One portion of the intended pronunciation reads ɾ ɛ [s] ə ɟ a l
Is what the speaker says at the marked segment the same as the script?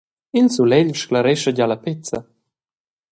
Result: no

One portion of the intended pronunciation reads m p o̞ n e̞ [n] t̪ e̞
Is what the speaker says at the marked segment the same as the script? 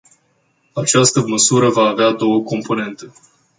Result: yes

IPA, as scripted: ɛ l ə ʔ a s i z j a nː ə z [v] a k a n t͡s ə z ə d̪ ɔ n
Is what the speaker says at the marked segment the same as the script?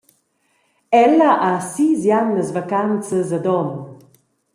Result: yes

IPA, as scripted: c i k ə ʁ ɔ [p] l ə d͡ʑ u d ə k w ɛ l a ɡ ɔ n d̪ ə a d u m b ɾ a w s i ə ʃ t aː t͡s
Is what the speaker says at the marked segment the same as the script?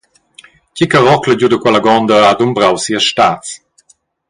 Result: no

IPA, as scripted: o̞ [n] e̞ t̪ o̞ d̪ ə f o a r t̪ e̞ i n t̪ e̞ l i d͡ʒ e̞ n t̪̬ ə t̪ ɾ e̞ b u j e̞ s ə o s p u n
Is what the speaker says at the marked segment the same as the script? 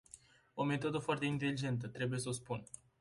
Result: no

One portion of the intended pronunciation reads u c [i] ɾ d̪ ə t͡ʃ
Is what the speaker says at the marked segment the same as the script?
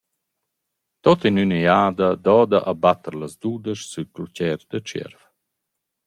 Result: no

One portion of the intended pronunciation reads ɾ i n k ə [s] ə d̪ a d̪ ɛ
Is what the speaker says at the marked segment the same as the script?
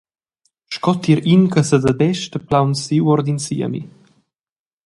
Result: yes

